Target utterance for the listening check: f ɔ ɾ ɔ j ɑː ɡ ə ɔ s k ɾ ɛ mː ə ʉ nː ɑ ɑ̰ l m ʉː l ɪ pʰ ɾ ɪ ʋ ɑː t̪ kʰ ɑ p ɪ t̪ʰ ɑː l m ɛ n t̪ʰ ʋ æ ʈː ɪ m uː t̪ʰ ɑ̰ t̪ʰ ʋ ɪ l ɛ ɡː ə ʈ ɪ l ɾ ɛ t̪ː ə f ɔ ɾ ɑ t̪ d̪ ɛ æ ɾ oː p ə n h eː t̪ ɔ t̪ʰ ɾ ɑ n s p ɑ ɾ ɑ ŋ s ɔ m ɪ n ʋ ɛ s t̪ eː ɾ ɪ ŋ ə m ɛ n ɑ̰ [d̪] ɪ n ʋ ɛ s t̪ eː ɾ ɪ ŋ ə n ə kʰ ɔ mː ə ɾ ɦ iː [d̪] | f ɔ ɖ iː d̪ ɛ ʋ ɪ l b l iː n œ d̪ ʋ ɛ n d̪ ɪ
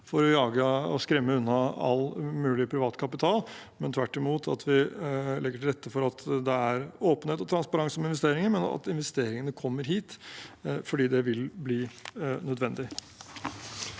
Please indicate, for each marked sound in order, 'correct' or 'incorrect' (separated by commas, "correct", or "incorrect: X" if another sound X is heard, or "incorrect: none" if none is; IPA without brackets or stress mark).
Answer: incorrect: t̪, incorrect: t̪